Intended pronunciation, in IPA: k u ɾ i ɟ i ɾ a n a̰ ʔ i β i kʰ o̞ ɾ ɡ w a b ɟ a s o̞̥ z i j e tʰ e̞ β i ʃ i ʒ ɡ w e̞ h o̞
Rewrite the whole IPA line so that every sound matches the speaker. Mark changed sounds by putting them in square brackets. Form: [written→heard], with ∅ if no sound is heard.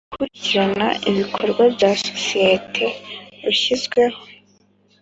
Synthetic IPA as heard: k u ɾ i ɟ i ɾ a n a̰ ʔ i β i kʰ o̞ ɾ ɡ w a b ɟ a s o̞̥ [z→s] i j e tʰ e̞ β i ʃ i [ʒ→z] ɡ w e̞ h o̞

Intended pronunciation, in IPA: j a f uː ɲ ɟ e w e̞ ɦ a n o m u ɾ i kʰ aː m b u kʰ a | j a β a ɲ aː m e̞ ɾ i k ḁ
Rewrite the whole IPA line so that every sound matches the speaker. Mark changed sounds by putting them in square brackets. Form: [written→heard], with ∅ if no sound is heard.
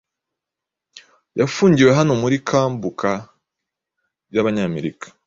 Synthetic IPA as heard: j a f uː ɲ ɟ [e→i] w e̞ ɦ a n o m u ɾ i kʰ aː m b u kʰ a | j a β a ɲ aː m e̞ ɾ i k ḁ

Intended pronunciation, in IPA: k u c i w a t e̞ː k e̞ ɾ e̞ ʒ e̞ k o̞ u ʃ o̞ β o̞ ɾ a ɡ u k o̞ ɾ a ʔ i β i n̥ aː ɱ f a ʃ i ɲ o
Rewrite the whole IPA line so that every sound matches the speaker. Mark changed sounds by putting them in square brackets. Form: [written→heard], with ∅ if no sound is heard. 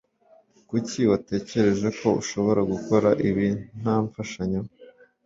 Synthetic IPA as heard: k u c i w a t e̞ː [k→c] e̞ ɾ e̞ ʒ e̞ k o̞ u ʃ o̞ β o̞ ɾ a ɡ u k o̞ ɾ a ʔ i β i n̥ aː ɱ f a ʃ [i→a] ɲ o

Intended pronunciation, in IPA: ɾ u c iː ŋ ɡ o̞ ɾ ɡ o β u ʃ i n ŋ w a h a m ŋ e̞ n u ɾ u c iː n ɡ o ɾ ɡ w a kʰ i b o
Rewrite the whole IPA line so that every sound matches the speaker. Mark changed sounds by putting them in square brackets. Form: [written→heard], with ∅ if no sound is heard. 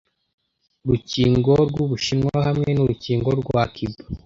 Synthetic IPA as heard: ɾ u c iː ŋ ɡ o̞ ɾ ɡ [o→u] β u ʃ i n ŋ w a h a m ŋ e̞ n u ɾ u c iː [n→ŋ] ɡ o ɾ ɡ w a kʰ i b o

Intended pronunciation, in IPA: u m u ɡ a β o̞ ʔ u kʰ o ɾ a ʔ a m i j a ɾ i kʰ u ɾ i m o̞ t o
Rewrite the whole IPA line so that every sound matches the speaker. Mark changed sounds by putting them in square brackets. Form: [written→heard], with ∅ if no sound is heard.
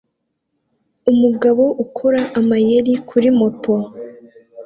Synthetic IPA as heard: u m u ɡ a β o̞ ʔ u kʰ o ɾ a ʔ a m [i→a] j [a→e] ɾ i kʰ u ɾ i m o̞ t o

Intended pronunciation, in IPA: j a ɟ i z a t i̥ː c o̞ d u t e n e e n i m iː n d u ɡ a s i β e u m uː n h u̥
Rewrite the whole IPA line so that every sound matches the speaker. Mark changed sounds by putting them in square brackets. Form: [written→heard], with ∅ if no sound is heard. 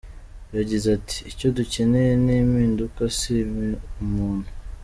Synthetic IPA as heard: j a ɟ i z a t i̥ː c o̞ d u [t→c] e n e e n i m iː n d u [ɡ→k] a s i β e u m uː n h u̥

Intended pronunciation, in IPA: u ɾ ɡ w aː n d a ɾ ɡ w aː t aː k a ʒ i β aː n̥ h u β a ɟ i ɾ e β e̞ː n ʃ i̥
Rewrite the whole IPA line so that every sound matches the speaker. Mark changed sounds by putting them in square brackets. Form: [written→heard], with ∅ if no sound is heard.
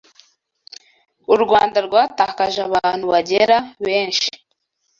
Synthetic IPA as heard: u ɾ ɡ w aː n d a ɾ ɡ w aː t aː k a ʒ [i→a] β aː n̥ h u β a ɟ [i→e] ɾ [e→a] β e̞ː n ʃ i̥

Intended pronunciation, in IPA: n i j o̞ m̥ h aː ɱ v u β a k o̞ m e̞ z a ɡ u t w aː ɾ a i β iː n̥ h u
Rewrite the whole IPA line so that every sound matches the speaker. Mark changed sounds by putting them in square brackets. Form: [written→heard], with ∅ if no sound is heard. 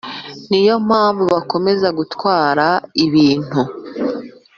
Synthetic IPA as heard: n i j o̞ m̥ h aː ɱ v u β a k o̞ m e̞ z a ɡ u t w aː ɾ a i β iː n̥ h u

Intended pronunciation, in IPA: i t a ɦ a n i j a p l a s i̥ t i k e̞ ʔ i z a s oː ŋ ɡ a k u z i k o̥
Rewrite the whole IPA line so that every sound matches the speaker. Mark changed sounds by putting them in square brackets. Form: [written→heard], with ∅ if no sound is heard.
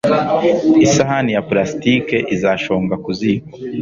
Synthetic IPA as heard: i [t→s] a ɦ a n i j a p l a s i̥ t i k e̞ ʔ i z a [s→ʃ] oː ŋ ɡ a k u z i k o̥

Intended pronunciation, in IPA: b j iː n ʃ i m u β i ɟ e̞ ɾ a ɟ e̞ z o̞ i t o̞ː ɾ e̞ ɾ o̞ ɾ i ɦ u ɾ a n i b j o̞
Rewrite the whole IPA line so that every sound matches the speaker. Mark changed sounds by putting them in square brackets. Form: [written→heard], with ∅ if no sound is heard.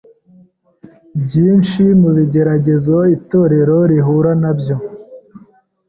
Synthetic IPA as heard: b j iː n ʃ i m u β i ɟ e̞ ɾ a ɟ e̞ z o̞ i t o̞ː ɾ e̞ ɾ o̞ ɾ i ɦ u ɾ a n [i→a] b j o̞

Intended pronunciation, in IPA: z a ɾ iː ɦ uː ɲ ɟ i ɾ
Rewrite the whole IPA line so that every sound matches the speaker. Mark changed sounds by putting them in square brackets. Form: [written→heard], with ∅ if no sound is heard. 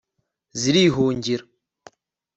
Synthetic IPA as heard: z [a→i] ɾ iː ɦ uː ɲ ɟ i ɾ

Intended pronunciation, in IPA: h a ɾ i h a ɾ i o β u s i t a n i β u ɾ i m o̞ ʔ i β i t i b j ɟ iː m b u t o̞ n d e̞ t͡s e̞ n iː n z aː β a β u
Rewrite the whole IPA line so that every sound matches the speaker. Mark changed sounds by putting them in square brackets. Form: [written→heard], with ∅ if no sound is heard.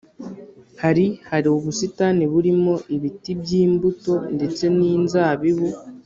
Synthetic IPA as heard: h a ɾ i h a ɾ i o β u s i t a n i β u ɾ i m o̞ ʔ i β i t i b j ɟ iː m b u t o̞ n d e̞ t͡s e̞ n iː n z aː β [a→i] β u

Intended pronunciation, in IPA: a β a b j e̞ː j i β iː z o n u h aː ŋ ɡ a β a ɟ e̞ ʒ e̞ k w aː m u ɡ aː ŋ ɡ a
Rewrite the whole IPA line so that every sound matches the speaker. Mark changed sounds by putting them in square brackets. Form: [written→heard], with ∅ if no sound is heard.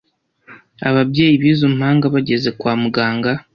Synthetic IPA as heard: a β a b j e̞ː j i β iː z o [n→m] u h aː ŋ ɡ a β a ɟ e̞ [ʒ→z] e̞ k w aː m u ɡ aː ŋ ɡ a

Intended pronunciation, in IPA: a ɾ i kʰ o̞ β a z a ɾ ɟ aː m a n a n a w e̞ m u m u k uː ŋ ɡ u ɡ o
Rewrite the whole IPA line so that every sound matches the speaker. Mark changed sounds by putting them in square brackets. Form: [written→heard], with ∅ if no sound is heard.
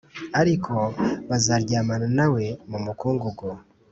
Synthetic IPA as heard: a ɾ i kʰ o̞ β a z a ɾ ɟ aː m a n a n a w e̞ m u m u k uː ŋ ɡ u ɡ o

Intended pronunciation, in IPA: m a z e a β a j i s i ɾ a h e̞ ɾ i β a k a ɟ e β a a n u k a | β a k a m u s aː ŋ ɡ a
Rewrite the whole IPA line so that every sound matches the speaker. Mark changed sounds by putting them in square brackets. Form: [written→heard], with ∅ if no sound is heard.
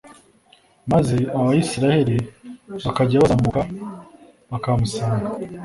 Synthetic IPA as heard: m a z e a β a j i s i ɾ a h e̞ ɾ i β a k a ɟ [e→a] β a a [n→m] u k a | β a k a m u s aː ŋ ɡ a

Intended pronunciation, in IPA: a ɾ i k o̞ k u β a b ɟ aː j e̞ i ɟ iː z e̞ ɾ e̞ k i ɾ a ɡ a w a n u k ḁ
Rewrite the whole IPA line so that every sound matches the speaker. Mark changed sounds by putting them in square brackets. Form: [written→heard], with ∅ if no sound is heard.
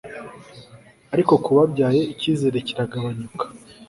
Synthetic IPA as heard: a ɾ i k o̞ k u β a b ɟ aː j e̞ i [ɟ→c] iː z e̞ ɾ e̞ [k→c] i ɾ a ɡ a [w→β] a [n→ɲ] u k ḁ

